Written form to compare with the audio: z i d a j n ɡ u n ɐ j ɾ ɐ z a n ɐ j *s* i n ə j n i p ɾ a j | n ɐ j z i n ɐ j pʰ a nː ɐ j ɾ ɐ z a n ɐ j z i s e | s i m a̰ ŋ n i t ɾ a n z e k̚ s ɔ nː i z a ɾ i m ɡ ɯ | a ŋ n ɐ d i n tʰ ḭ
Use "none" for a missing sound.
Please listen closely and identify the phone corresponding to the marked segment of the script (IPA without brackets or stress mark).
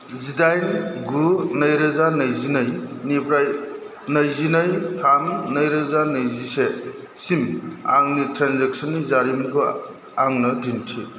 z